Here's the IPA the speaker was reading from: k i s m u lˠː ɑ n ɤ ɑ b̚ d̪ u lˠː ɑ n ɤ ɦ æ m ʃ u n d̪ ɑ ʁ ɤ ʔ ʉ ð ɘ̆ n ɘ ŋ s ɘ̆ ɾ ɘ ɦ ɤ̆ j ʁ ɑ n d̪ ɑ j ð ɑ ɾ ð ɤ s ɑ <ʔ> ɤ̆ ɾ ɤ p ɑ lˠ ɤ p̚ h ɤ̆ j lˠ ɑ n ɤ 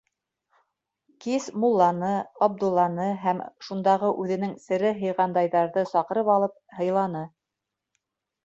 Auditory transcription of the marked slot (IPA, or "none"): q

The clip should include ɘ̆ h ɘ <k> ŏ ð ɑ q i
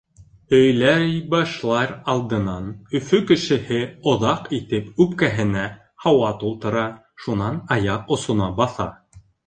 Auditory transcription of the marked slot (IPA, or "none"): none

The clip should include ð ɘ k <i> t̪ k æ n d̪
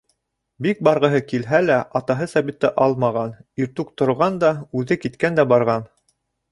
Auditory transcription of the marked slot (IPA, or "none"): i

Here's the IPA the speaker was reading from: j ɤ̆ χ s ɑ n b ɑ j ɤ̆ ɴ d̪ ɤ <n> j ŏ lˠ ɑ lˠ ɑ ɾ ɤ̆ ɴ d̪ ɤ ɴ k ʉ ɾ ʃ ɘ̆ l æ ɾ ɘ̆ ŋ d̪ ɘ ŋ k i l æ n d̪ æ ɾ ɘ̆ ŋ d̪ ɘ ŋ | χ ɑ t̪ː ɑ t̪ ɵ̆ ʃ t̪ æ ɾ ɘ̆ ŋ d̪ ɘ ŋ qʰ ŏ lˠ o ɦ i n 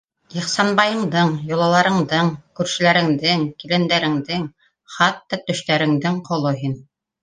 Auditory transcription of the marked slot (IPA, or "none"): ɴ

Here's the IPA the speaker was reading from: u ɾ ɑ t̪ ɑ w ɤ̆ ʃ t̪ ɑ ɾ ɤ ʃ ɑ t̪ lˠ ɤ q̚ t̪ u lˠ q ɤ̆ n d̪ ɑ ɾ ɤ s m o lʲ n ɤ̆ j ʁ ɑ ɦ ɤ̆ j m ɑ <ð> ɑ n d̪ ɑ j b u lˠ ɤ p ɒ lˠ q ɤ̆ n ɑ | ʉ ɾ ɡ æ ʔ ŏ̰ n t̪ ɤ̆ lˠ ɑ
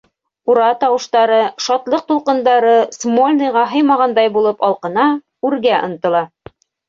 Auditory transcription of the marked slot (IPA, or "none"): ʁ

